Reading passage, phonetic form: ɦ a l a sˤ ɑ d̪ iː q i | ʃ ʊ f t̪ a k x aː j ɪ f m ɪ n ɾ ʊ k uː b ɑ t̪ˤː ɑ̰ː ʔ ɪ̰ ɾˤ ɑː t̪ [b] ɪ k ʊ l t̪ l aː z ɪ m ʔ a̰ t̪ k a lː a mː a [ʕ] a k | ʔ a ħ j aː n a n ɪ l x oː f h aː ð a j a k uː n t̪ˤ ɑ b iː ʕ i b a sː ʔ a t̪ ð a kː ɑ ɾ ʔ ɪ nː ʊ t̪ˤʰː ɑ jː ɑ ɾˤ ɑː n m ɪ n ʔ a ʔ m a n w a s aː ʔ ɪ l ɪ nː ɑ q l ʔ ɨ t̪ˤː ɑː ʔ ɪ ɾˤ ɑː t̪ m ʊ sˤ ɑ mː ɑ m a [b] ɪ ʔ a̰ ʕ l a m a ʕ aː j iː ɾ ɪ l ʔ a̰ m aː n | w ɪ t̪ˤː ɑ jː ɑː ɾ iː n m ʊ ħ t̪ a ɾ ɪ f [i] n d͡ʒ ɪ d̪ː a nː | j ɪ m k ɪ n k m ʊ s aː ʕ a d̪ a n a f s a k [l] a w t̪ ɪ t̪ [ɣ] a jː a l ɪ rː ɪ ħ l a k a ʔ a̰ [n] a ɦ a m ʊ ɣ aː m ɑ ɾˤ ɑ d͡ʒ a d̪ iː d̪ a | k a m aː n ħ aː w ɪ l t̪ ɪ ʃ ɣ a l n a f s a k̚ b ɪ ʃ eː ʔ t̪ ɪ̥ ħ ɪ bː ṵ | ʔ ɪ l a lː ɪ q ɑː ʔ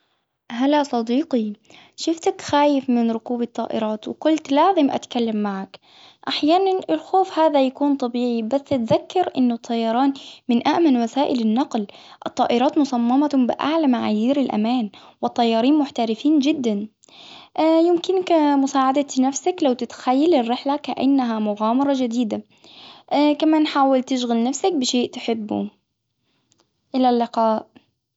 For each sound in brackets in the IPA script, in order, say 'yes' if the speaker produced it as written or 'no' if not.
no, yes, yes, no, yes, no, no

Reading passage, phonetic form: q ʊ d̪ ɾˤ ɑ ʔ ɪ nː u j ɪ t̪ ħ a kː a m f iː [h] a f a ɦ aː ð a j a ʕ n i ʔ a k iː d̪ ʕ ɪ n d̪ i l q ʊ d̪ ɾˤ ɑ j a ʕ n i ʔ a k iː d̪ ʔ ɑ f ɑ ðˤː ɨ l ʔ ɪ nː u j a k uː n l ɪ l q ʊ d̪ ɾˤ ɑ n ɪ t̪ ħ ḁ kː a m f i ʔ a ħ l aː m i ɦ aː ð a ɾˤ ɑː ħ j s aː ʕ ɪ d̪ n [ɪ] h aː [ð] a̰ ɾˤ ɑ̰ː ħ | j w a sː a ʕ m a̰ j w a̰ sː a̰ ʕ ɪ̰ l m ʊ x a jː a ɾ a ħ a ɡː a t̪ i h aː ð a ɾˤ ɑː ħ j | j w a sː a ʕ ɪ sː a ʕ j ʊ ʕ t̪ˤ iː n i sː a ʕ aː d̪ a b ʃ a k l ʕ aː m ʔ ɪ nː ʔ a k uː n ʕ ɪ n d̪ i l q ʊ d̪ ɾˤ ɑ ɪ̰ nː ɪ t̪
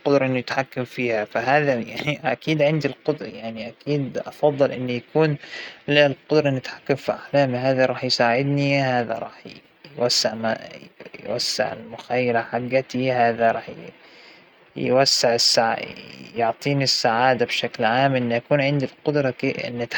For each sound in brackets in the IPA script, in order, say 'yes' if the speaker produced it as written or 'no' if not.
yes, no, yes

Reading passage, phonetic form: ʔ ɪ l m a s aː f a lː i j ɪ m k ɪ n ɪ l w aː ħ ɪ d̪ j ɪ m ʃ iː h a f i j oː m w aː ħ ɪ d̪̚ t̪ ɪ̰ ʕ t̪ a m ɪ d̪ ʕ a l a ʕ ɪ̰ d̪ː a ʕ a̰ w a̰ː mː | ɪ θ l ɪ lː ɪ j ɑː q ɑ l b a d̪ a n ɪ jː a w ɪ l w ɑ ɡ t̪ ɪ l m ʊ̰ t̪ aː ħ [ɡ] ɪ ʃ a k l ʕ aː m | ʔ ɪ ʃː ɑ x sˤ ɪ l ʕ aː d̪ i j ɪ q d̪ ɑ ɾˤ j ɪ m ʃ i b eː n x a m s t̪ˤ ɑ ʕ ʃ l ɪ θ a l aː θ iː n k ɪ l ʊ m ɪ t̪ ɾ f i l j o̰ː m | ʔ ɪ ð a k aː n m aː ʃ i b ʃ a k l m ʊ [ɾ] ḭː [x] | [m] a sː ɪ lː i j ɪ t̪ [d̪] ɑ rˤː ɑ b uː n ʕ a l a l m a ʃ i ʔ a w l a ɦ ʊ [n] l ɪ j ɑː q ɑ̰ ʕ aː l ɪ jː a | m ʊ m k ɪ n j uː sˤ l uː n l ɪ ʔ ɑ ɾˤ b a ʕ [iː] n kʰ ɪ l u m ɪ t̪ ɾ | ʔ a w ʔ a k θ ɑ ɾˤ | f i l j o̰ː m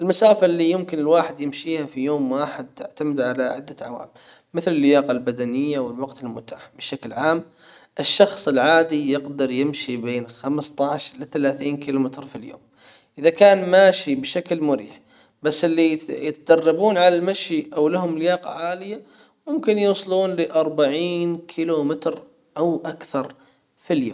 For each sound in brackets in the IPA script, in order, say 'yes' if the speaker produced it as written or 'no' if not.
no, yes, no, no, yes, no, yes

